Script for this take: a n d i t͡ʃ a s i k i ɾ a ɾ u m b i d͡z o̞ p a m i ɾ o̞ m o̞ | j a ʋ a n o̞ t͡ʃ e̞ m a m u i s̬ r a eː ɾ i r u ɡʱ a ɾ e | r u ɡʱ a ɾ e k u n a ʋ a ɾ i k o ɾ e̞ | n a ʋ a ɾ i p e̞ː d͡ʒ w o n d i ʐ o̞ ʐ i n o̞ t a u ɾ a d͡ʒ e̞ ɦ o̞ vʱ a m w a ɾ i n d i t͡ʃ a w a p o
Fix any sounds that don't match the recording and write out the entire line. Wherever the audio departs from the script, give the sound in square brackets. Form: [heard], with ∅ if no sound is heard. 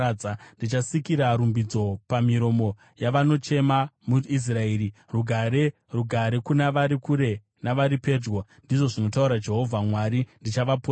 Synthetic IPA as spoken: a n d i t͡ʃ a s i k i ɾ a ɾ u m b i d͡z o̞ p a m i ɾ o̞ m o̞ | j a ʋ a n o̞ t͡ʃ e̞ m a m u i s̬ r a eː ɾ i r u ɡʱ a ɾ e | r u ɡʱ a ɾ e k u n a ʋ a ɾ i k [u] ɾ e̞ | n a ʋ a ɾ i p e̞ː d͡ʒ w o n d i ʐ o̞ ʐ i n o̞ t a u ɾ a d͡ʒ e̞ ɦ o̞ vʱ a m w a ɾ i n d i t͡ʃ a [ʋ] a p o